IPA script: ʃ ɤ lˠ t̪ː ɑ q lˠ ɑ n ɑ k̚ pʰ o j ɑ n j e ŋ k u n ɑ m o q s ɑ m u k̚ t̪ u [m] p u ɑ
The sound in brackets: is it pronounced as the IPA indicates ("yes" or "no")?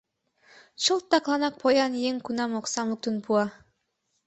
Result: no